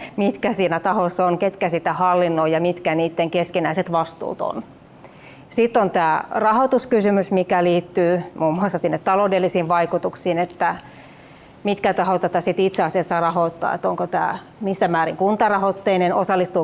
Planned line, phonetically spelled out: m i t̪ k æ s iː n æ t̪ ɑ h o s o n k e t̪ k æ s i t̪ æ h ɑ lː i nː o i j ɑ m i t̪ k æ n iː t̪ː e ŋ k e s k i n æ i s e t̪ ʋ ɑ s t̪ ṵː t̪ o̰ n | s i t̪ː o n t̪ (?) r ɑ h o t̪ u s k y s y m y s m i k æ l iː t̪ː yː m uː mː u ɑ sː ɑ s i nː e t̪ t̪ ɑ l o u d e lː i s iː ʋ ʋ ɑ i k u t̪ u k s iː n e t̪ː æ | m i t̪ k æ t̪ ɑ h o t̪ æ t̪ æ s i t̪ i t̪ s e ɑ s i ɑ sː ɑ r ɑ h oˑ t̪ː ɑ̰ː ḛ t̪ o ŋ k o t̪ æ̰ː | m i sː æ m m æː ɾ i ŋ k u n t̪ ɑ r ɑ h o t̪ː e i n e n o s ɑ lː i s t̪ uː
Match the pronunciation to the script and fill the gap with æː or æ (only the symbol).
æː